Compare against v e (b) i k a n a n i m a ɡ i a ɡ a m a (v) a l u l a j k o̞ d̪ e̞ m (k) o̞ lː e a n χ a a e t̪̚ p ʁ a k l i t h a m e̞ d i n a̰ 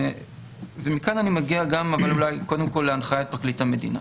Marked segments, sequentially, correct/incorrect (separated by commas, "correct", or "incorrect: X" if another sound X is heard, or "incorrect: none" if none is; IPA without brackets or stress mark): incorrect: m, correct, correct